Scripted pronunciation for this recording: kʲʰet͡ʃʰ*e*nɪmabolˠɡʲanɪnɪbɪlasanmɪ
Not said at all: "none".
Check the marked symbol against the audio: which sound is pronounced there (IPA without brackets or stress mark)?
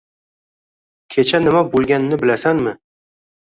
a